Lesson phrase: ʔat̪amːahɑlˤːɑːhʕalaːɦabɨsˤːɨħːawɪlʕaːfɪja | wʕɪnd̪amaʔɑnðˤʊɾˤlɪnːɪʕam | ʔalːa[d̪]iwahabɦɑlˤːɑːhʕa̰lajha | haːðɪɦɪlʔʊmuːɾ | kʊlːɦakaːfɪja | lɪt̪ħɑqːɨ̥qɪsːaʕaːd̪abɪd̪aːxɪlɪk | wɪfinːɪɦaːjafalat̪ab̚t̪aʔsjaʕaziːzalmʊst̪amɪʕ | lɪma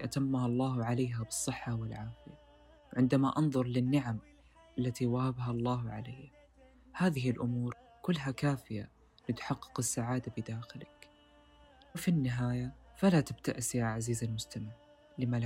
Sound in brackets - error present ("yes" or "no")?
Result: yes